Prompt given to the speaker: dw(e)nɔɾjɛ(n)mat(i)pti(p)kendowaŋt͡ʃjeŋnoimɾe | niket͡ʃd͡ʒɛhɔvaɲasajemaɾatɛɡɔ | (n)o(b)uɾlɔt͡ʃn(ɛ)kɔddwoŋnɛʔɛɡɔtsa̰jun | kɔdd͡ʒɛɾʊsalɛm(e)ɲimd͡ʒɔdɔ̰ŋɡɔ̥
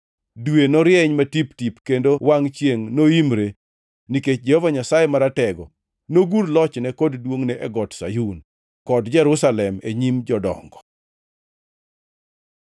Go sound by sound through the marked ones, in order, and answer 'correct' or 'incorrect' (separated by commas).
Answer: correct, incorrect, correct, correct, correct, incorrect, correct, correct